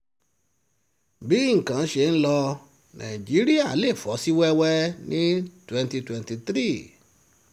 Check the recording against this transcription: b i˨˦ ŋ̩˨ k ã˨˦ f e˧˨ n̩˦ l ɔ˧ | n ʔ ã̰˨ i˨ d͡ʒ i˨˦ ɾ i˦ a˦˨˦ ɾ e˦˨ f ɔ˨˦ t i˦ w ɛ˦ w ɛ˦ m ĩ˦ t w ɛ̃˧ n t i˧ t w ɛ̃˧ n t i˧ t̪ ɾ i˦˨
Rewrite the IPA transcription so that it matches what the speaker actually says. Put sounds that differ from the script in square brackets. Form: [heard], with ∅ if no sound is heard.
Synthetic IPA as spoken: b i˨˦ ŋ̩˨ k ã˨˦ [ʃ] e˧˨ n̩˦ l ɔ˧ | n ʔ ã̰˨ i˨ d͡ʒ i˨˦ ɾ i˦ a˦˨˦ [l] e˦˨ f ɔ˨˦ [s] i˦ w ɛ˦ w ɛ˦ [n] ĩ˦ t w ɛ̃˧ n t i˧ t w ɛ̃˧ n t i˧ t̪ ɾ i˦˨